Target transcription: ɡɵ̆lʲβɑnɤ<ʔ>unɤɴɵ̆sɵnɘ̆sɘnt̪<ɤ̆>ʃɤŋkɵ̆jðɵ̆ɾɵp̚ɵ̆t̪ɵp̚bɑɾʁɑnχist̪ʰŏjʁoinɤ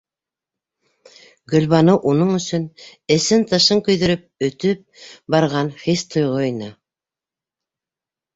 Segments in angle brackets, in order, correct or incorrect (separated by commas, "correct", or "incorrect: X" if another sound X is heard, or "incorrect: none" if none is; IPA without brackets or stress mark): correct, correct